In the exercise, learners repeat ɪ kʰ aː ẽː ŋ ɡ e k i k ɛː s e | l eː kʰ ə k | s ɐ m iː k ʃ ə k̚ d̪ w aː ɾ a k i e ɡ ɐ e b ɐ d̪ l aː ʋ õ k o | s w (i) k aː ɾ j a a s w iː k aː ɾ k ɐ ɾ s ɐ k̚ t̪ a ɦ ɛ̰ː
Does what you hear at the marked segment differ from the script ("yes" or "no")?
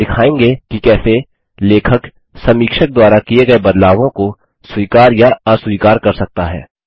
yes